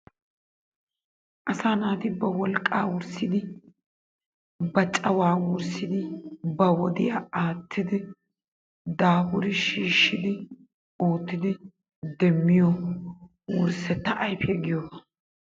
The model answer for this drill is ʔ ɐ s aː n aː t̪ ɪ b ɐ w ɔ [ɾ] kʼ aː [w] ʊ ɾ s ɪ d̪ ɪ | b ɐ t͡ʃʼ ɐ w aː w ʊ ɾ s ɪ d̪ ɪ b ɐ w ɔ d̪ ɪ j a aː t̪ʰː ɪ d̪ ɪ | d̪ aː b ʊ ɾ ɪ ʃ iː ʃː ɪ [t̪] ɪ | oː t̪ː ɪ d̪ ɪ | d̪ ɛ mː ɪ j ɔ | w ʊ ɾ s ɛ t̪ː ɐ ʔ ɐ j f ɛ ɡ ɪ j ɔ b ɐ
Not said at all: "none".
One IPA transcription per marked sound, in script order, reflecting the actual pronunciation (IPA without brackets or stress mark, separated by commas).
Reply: l, w, d̪